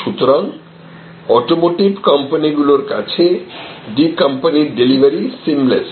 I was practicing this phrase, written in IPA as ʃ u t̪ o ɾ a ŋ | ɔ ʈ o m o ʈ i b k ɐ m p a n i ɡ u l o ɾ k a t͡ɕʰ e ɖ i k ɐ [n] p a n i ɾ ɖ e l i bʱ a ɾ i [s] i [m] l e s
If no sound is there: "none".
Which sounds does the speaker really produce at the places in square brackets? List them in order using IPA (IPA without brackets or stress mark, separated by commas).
m, s, m